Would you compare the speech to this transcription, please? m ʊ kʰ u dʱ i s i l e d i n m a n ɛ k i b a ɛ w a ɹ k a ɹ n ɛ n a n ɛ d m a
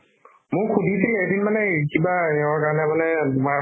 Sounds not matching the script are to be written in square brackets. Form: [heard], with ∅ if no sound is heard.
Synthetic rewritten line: m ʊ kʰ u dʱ i s i l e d i n m a n ɛ k i b a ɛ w a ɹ k a ɹ n ɛ [m] a n ɛ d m a

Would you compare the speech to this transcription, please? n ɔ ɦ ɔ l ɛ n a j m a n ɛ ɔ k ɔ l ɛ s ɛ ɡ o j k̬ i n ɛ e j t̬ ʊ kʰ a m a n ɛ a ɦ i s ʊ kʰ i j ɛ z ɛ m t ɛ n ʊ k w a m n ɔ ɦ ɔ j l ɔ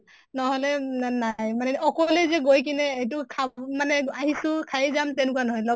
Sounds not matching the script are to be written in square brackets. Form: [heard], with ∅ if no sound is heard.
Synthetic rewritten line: n ɔ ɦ ɔ l ɛ n a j m a n ɛ ɔ k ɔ l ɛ [z] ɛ ɡ o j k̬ i n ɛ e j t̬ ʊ kʰ a m a n ɛ a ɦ i s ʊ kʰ [a] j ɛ z [a] m t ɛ n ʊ k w a [∅] n ɔ ɦ ɔ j l ɔ

